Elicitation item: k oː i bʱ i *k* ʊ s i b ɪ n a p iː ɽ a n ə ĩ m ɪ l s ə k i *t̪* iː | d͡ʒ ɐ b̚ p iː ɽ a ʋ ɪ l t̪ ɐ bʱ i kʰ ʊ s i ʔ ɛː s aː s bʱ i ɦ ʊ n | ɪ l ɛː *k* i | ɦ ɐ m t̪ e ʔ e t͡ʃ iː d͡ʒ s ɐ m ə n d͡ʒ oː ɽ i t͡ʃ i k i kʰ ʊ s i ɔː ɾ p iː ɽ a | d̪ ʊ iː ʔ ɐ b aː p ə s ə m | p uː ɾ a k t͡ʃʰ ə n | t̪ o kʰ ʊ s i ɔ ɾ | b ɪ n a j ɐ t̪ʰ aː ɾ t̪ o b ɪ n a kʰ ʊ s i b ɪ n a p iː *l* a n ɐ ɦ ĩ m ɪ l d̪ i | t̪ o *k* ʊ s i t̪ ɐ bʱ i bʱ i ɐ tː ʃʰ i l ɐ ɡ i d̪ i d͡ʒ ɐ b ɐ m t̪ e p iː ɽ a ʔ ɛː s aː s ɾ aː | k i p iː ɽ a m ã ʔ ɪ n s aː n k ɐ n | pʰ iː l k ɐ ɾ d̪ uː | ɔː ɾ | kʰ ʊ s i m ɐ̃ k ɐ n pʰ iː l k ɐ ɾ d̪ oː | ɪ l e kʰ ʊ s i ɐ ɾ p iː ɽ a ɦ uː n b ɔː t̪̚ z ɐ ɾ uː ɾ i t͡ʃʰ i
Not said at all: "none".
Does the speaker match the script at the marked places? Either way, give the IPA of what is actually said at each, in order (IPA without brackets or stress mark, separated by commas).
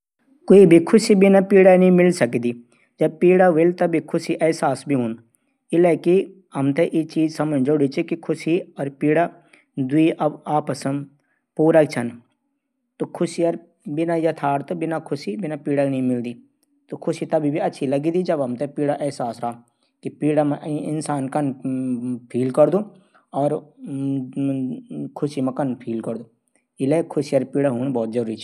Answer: kʰ, d̪, k, ɽ, kʰ